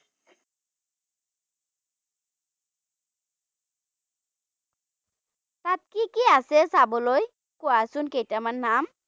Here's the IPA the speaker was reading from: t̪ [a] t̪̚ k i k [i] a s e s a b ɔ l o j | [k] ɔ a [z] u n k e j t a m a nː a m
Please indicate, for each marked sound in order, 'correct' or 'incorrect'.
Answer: correct, correct, correct, incorrect

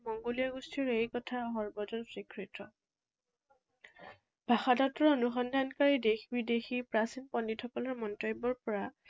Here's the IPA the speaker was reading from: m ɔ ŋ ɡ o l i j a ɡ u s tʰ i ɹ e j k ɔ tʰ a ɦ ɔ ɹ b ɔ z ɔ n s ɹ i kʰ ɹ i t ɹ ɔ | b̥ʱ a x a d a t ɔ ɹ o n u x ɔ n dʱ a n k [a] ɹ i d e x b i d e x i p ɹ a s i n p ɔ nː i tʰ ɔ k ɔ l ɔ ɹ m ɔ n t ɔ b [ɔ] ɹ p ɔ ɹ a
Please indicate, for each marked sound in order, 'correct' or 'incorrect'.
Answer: correct, correct

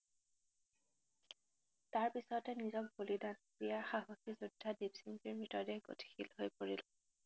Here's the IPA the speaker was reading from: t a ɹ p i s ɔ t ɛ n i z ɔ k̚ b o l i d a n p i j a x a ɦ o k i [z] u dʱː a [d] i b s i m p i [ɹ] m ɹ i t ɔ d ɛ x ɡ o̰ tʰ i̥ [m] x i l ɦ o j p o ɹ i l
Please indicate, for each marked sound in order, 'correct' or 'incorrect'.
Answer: correct, correct, correct, incorrect

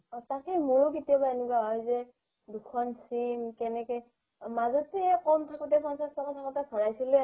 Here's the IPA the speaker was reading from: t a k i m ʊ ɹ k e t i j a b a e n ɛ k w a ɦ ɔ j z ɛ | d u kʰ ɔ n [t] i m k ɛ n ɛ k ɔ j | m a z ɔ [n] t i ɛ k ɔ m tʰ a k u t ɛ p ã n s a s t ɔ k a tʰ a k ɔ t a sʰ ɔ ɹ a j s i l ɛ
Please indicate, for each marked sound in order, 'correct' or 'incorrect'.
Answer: incorrect, incorrect

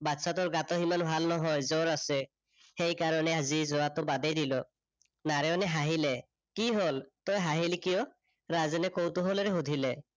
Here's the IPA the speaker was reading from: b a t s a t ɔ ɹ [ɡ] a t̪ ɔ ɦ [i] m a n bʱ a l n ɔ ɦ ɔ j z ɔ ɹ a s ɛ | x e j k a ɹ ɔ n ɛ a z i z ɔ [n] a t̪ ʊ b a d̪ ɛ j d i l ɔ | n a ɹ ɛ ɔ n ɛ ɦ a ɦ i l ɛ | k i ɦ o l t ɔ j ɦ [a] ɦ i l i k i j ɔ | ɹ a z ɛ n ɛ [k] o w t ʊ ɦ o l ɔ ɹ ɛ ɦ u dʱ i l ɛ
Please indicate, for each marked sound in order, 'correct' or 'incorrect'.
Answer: correct, correct, incorrect, correct, correct

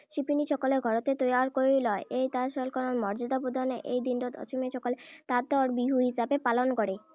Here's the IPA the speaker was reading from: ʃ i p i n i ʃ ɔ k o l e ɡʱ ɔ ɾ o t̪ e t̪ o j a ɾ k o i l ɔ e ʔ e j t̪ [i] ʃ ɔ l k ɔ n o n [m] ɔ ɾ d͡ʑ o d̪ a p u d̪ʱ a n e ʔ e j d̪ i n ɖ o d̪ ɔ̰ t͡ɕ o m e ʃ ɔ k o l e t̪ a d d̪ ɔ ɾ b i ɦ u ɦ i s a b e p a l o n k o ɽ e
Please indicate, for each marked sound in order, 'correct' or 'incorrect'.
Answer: incorrect, correct

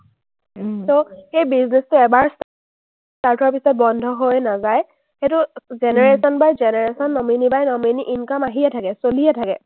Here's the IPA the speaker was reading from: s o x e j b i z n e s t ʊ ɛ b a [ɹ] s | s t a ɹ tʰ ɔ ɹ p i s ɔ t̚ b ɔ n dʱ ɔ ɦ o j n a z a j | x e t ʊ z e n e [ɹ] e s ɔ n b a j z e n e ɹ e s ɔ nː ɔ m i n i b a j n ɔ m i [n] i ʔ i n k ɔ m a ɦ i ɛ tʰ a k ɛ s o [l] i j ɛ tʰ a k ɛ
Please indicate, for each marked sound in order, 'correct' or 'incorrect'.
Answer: correct, correct, correct, correct

